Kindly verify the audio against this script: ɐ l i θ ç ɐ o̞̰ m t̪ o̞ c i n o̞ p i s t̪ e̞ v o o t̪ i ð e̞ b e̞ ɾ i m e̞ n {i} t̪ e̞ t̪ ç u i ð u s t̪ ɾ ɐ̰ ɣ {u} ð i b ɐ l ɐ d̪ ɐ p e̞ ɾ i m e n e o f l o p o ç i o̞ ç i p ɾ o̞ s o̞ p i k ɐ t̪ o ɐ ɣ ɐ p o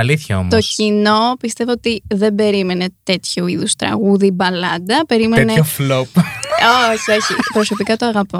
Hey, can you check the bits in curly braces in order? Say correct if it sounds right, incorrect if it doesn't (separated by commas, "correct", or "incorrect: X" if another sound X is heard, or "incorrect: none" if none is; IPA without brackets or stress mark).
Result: incorrect: e, correct